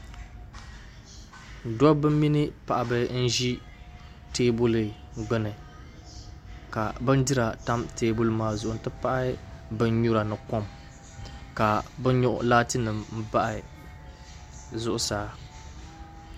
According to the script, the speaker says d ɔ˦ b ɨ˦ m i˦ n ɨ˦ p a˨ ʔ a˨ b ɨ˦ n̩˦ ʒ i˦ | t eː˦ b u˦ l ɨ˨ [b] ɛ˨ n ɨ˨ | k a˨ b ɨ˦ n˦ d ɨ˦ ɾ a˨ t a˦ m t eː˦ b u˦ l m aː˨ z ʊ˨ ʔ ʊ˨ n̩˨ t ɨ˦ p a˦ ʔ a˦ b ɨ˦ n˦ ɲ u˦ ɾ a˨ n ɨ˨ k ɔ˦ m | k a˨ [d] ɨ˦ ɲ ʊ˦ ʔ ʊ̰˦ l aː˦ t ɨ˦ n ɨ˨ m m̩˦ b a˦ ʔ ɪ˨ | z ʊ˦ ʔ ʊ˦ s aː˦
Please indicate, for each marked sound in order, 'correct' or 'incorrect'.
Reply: incorrect, incorrect

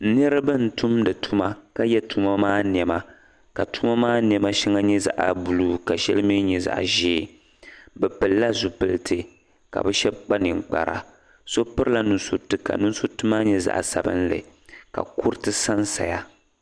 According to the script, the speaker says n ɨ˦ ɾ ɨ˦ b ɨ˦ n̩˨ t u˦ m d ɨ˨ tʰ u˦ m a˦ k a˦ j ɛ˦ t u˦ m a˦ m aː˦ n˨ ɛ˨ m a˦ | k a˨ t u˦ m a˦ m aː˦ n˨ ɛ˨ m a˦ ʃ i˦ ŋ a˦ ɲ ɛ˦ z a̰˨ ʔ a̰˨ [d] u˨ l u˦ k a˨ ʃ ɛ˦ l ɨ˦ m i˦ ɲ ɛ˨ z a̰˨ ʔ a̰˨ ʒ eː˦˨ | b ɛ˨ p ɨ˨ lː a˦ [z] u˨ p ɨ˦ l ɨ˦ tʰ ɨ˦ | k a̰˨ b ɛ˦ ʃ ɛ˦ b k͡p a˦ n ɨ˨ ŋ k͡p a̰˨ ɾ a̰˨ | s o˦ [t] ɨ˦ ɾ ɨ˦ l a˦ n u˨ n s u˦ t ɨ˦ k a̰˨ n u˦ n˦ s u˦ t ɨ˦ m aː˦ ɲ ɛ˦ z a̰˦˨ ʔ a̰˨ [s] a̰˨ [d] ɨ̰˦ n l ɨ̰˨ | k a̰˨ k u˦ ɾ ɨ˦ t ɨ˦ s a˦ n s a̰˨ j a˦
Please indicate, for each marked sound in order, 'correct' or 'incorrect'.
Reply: incorrect, correct, incorrect, correct, incorrect

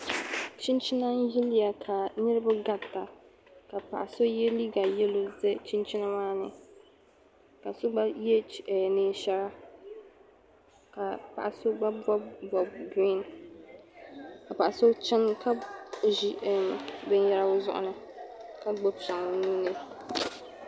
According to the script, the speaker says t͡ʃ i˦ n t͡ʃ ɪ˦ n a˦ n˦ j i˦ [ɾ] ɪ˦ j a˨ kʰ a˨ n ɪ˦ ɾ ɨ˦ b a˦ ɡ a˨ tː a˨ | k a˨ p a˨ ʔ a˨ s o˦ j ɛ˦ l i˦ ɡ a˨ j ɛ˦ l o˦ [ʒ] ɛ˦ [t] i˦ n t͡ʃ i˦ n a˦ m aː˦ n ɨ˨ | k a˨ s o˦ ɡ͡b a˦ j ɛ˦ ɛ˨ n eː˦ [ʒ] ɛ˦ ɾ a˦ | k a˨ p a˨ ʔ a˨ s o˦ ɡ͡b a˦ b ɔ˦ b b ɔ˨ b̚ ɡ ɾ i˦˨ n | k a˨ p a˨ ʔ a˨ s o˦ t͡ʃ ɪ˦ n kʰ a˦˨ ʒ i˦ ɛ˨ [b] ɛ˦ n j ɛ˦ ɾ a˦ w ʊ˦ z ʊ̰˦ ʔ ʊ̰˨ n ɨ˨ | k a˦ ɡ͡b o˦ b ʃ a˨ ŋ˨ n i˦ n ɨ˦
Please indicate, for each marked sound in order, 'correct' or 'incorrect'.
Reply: incorrect, incorrect, incorrect, incorrect, correct

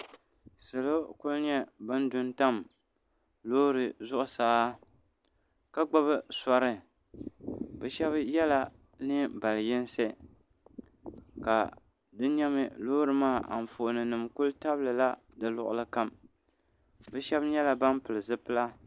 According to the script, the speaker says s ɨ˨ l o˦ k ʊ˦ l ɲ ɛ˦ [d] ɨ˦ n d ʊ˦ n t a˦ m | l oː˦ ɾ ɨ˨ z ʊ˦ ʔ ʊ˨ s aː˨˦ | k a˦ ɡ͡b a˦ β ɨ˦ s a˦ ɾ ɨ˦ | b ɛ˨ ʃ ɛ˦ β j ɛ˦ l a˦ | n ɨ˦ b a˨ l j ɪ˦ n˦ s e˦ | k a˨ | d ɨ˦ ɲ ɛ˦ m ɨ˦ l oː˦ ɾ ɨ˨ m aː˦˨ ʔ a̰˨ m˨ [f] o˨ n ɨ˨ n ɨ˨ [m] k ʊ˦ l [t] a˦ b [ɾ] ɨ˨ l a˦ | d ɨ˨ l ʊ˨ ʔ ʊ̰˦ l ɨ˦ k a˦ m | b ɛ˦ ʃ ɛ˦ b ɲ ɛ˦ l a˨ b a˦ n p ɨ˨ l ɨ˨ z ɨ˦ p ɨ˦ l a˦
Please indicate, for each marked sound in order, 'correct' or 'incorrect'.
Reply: incorrect, correct, correct, correct, incorrect

